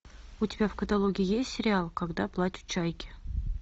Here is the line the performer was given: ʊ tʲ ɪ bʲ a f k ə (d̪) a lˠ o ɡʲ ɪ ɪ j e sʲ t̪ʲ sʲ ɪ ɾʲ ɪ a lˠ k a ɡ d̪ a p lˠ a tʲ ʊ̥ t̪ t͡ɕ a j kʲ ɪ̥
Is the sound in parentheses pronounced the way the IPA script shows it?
no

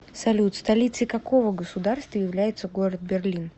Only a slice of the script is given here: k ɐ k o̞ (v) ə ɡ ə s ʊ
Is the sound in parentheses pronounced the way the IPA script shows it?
yes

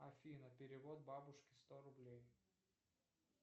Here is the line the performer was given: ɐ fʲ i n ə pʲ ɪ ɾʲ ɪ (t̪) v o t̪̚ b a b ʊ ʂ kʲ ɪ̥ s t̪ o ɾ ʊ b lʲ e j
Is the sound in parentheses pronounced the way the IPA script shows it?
no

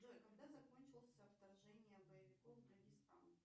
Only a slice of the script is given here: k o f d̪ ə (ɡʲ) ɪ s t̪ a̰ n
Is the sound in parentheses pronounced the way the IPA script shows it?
yes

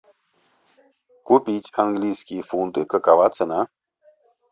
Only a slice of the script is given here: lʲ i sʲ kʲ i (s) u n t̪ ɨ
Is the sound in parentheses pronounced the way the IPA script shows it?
no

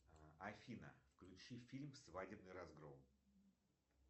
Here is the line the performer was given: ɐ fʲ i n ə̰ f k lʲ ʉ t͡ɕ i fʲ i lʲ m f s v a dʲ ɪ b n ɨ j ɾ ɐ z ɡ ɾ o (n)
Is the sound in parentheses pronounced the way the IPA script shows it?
no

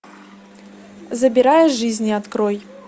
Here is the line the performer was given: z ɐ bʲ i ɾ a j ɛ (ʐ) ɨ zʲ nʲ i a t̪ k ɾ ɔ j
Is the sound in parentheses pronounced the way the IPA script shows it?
yes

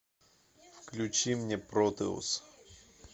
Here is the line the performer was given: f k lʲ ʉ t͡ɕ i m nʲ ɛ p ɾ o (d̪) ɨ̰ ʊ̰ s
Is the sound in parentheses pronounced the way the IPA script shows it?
no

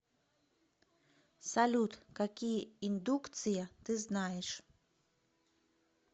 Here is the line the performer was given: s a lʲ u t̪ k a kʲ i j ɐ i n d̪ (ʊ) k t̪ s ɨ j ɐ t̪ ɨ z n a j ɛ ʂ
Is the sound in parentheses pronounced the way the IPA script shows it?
no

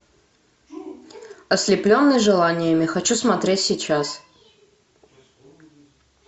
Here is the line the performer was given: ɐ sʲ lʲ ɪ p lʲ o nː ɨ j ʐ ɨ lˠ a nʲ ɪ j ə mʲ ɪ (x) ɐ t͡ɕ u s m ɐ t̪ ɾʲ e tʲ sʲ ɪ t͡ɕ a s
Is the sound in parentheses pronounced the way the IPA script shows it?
yes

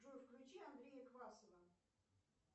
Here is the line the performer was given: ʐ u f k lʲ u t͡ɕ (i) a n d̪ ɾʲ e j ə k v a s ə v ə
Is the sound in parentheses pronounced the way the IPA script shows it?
yes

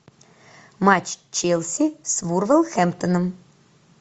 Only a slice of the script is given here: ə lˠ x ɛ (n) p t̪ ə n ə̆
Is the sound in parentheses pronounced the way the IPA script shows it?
no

